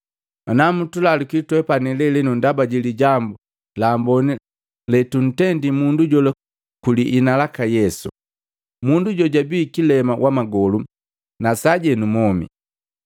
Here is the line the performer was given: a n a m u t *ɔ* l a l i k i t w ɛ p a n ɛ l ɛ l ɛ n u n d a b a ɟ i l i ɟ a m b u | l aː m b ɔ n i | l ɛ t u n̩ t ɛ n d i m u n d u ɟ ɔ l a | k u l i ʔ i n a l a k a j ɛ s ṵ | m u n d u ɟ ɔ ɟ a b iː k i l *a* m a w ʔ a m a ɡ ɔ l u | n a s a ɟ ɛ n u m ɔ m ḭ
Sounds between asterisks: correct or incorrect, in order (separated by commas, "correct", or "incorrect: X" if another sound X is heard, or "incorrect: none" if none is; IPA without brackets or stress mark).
incorrect: u, incorrect: ɛ